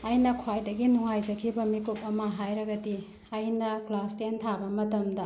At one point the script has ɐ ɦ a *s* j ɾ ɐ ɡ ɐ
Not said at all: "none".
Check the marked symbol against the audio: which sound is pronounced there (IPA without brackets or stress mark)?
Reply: none